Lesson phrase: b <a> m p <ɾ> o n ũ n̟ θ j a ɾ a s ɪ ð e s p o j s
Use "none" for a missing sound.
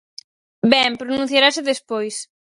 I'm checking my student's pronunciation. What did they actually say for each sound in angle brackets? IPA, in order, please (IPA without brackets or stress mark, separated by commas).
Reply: ɛ, ɾ